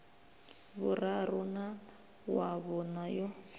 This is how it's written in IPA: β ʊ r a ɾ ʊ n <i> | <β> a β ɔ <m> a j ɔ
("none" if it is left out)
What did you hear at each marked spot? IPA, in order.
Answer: a, w, n

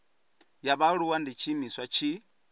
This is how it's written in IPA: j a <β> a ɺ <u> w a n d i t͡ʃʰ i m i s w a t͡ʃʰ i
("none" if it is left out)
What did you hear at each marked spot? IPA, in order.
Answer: β, u

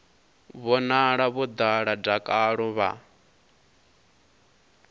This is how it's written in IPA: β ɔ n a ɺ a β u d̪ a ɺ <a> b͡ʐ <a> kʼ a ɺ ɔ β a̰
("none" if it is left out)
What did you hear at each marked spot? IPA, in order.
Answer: a, a

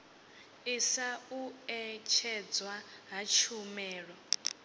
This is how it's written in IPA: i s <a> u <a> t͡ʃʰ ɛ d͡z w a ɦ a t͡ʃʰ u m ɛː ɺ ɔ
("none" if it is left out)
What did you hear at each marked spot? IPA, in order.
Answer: a, ɛ

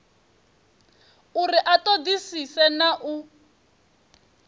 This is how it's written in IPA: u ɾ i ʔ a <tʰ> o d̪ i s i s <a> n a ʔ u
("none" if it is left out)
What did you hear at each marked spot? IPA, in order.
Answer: t, ɛ

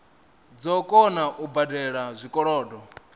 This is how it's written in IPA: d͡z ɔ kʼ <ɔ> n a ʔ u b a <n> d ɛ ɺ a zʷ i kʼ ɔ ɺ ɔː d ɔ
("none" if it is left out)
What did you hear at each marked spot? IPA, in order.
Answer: ɔ, none

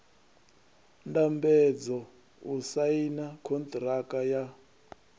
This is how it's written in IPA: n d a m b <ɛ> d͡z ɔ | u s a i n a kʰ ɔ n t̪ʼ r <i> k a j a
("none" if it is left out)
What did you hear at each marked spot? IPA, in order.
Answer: ɛ, a

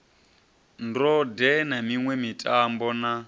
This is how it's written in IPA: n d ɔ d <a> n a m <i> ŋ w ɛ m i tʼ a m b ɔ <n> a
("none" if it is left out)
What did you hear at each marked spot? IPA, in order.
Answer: ɛ, i, n

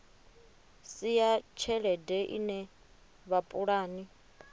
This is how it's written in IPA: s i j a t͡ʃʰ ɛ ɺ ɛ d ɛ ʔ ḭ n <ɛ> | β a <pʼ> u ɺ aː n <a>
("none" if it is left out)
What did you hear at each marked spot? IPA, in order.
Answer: ɛ, pʼ, i

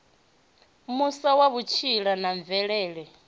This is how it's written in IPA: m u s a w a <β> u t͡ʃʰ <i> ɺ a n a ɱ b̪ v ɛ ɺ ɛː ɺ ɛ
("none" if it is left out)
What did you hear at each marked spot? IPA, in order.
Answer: β, i

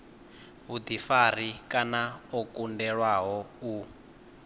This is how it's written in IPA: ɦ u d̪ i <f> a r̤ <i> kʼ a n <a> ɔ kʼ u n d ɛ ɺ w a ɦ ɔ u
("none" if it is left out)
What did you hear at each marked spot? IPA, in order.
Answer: f, i, a

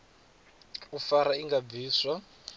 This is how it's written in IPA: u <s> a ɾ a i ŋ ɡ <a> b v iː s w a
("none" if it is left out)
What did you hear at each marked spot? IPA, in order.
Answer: f, a

